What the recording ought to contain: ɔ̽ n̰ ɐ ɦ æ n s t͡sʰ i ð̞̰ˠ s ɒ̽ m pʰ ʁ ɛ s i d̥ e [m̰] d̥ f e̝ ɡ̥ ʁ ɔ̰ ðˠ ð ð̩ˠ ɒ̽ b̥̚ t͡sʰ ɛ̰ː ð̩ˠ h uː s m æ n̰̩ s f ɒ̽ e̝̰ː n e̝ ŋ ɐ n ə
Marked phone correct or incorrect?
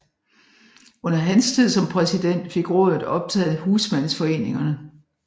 incorrect